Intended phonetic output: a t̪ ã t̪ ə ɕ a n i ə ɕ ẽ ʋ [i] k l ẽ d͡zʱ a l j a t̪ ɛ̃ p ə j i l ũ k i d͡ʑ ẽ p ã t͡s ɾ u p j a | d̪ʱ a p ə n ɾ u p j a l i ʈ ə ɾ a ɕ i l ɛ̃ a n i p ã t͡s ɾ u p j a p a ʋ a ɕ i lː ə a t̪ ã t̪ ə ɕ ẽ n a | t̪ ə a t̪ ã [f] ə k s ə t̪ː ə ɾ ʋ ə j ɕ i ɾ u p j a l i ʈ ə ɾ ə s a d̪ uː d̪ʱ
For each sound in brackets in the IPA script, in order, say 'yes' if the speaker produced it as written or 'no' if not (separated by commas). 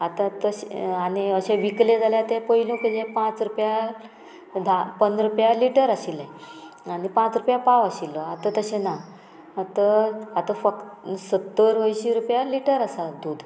yes, yes